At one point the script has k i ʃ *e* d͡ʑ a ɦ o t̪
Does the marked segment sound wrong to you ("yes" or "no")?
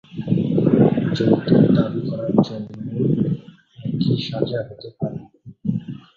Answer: yes